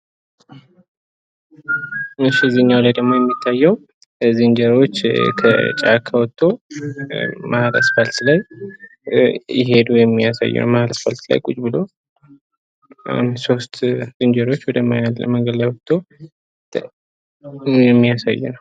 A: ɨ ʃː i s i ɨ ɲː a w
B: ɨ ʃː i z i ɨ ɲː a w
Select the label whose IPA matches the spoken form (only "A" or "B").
B